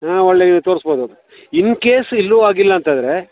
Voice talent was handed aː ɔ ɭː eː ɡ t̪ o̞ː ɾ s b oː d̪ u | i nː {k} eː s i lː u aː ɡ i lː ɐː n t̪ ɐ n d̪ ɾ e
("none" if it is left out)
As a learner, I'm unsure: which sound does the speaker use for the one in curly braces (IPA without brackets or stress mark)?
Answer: k